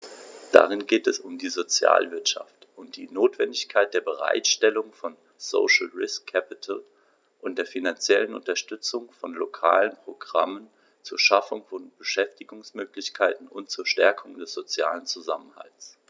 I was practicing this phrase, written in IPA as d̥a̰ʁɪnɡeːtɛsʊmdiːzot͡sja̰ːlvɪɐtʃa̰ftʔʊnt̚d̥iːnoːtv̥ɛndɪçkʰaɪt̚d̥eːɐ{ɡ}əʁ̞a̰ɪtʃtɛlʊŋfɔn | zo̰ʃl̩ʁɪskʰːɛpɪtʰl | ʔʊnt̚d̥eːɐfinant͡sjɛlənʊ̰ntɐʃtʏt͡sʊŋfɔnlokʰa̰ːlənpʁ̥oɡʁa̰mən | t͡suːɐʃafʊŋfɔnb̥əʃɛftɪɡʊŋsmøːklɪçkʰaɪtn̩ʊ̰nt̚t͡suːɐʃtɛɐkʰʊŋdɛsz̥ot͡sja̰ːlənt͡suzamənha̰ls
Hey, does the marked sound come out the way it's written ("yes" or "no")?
no